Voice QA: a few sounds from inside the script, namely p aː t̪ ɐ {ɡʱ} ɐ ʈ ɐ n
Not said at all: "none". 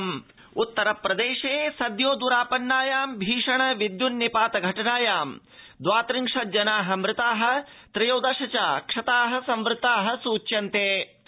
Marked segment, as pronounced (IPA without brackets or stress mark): ɡʱ